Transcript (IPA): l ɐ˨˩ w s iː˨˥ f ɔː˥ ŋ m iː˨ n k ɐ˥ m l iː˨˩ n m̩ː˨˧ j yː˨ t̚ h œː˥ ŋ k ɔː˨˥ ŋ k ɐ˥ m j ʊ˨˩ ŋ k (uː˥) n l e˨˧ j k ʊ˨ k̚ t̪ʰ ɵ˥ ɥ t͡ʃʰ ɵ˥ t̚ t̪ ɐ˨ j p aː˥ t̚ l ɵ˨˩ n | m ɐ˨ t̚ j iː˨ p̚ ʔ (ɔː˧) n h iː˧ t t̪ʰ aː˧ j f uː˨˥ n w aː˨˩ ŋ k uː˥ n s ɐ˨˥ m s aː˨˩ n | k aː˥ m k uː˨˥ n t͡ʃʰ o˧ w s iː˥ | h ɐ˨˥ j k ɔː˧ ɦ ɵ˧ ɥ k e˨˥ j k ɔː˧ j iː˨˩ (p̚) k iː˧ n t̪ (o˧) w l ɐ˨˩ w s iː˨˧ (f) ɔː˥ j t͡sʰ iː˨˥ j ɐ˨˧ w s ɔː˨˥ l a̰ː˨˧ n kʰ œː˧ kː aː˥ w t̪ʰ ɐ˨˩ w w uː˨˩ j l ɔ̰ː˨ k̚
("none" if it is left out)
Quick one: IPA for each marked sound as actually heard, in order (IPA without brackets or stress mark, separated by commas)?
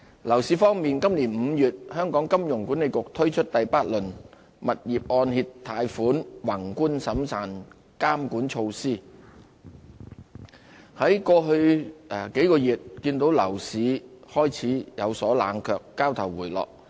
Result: uː˨˥, ɔː˧, t̚, o˨˥, h